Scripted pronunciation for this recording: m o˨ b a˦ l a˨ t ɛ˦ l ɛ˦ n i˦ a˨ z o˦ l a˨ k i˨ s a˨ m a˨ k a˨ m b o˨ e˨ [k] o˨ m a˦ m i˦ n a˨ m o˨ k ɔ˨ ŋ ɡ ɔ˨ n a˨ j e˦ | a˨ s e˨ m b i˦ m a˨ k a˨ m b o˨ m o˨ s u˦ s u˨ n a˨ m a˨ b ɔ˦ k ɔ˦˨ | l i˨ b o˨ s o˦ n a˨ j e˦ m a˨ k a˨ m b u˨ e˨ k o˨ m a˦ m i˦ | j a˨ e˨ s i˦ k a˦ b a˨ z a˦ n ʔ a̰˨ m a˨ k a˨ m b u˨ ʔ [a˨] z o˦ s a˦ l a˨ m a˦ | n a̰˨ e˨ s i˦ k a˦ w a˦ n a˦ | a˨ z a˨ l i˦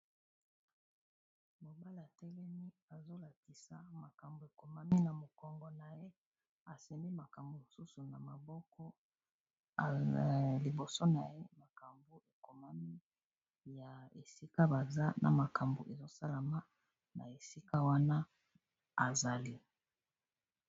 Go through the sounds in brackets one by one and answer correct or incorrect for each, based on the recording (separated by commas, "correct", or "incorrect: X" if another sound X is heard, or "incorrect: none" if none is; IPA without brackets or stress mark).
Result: correct, incorrect: e˨